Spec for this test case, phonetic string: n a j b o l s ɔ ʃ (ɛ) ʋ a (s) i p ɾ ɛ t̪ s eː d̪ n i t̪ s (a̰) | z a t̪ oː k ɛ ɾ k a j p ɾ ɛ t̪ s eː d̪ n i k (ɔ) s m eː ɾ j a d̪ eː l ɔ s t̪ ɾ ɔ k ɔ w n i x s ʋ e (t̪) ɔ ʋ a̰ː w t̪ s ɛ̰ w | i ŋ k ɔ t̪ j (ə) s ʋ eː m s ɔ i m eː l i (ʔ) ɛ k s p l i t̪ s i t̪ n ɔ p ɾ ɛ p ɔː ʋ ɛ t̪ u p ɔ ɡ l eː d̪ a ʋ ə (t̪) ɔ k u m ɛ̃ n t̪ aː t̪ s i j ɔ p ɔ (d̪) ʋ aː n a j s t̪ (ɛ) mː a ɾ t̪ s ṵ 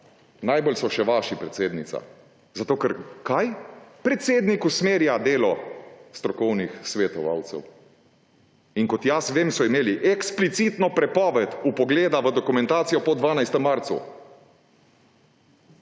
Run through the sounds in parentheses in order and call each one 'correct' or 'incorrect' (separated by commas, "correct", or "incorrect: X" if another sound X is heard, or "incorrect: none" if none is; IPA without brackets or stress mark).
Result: correct, incorrect: ʃ, correct, incorrect: u, correct, incorrect: a, correct, incorrect: d̪, correct, correct